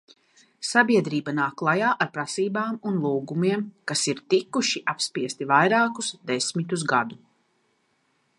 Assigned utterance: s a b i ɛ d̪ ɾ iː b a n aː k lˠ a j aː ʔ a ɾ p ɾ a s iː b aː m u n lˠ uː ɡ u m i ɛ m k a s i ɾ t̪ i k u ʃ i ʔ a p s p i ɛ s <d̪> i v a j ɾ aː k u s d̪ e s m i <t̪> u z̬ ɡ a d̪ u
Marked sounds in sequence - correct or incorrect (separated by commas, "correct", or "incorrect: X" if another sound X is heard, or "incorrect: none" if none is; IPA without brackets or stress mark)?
incorrect: t̪, correct